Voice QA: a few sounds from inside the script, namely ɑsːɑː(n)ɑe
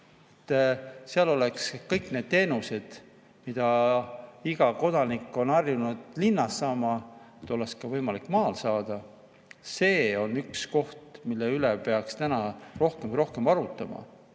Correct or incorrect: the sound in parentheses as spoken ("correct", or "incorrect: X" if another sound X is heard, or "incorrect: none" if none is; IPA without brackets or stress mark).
incorrect: m